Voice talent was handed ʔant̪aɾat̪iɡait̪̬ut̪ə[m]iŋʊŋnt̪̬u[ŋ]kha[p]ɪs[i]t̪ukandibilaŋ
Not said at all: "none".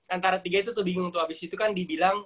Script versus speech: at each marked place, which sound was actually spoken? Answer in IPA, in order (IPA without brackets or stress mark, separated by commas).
b, none, b, i